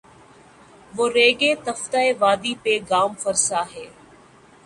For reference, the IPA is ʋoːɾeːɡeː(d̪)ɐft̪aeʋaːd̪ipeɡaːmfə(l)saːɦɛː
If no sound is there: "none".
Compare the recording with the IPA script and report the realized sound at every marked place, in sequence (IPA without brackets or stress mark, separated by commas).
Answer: t̪, ɾ